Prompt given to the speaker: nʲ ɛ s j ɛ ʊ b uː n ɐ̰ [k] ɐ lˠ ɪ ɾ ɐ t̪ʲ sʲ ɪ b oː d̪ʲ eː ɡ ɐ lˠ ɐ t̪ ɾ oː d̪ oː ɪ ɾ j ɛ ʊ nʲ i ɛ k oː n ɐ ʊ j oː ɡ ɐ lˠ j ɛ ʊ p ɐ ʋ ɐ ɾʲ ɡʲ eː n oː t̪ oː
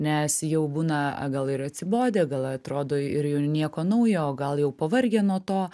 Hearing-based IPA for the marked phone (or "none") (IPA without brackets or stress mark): ɡ